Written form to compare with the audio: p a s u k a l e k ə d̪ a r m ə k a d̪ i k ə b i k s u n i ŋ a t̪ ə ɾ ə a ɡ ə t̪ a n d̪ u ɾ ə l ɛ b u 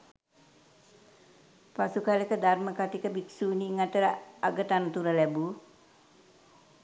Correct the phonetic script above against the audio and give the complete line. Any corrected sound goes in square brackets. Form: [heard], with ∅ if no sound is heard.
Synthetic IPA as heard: p a s u k a l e k ə d̪ a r m ə k a [t̪] i k ə b i k s u n i ŋ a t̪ ə ɾ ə a ɡ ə t̪ a n [t̪] u ɾ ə l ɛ b u